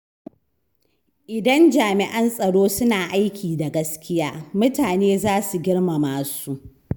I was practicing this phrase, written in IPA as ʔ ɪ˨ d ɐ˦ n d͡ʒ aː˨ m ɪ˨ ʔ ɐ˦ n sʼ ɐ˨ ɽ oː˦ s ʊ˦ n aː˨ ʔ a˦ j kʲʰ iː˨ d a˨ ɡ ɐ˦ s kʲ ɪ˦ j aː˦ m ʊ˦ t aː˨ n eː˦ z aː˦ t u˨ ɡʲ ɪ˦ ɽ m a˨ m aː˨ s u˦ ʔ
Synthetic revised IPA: ʔ ɪ˨ d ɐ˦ n d͡ʒ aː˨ m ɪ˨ ʔ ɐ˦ n sʼ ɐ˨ ɽ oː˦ s ʊ˦ n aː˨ ʔ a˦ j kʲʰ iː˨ d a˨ ɡ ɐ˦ s kʲ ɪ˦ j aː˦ m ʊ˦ t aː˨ n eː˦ z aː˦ s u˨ ɡʲ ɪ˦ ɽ m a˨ m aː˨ s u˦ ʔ